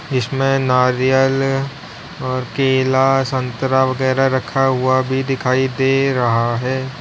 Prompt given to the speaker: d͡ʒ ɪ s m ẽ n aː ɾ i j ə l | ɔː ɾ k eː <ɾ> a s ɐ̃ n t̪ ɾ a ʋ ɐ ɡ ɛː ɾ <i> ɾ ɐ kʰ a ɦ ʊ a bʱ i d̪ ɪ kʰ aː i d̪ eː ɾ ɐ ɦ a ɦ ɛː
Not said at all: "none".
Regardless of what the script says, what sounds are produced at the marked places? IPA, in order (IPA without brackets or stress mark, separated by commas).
l, a